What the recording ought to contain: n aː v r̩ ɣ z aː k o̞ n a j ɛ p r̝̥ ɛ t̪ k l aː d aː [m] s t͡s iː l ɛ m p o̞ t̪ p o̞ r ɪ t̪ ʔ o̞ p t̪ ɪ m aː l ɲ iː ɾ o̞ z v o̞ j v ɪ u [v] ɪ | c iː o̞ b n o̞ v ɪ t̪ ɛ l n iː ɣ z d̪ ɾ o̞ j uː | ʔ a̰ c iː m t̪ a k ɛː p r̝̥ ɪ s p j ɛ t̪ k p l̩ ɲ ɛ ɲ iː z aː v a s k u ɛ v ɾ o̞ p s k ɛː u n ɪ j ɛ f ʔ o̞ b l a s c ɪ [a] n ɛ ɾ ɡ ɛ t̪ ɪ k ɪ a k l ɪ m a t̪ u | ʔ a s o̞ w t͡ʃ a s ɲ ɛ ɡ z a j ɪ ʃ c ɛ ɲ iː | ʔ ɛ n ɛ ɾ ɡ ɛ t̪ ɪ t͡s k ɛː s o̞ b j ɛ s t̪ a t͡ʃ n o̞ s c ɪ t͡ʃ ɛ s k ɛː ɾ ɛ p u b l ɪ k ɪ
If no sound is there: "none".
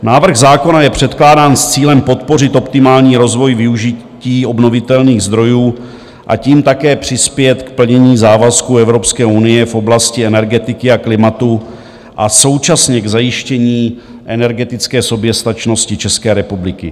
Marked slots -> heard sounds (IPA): n, ʒ, ɛ

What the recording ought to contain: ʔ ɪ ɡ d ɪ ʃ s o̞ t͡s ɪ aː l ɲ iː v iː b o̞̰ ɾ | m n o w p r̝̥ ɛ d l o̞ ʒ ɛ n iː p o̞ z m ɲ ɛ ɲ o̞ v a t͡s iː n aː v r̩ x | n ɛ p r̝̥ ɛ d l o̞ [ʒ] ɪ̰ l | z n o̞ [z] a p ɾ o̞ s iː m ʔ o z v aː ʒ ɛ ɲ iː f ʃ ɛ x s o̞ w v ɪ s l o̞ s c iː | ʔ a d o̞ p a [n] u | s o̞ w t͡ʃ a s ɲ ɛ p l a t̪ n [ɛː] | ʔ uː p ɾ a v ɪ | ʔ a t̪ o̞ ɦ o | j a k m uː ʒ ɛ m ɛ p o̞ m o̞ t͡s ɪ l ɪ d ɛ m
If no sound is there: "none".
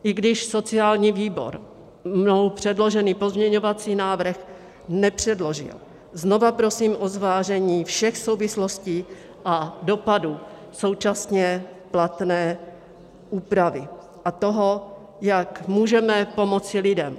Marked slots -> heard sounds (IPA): ʒ, v, d, ɛː

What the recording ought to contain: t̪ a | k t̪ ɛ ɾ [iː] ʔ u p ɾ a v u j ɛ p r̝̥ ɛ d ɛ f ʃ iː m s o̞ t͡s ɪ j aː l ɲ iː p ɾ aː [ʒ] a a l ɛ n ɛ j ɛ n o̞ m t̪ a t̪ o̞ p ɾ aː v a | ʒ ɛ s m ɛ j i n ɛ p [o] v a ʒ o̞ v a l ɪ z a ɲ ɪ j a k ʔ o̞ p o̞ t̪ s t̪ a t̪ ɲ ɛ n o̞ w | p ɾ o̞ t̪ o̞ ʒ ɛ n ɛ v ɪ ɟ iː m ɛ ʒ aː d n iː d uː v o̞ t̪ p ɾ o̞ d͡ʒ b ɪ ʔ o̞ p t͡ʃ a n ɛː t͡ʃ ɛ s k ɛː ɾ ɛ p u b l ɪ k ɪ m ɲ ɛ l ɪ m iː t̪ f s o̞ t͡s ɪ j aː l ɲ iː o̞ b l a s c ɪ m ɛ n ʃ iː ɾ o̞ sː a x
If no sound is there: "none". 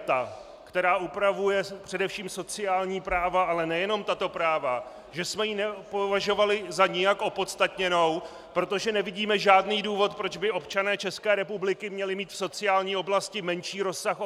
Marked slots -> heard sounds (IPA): aː, v, o

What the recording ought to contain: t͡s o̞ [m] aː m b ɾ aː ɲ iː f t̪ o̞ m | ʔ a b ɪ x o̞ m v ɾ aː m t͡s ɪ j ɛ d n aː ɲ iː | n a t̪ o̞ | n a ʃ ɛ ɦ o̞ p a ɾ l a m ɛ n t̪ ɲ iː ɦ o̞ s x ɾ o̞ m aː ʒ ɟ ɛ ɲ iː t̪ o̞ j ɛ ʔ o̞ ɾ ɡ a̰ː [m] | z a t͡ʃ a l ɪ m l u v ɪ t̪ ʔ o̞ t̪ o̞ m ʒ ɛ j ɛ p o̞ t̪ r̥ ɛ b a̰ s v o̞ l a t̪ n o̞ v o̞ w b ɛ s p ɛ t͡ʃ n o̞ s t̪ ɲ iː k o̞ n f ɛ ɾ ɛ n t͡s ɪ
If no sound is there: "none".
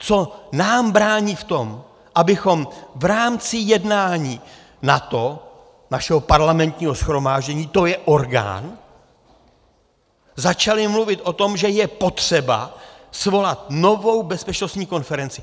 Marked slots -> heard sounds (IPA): n, n

